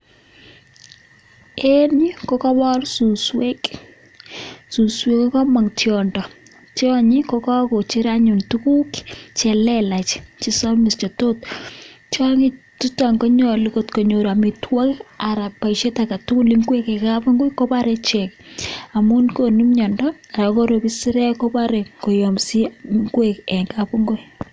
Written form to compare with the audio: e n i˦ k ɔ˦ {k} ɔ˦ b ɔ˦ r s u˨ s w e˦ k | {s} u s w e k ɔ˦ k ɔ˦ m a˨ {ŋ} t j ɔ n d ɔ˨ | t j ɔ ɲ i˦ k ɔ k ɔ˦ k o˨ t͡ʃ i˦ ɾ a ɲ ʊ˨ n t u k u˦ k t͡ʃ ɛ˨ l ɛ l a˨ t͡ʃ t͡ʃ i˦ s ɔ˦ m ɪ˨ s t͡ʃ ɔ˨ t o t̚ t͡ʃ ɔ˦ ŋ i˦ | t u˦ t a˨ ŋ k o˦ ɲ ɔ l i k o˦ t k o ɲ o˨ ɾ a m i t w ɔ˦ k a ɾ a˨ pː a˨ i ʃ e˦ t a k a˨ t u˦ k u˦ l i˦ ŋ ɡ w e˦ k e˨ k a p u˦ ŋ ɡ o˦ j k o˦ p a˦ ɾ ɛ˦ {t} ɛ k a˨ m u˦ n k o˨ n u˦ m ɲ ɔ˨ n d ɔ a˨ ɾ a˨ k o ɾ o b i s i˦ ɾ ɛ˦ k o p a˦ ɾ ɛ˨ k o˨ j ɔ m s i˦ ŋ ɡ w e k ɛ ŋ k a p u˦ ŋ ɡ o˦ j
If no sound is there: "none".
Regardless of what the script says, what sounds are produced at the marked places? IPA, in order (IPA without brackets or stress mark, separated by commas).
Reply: k, s, ŋ, t͡ʃ